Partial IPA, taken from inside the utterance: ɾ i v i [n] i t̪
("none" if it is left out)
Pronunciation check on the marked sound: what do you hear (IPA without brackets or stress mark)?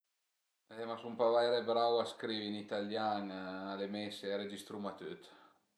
n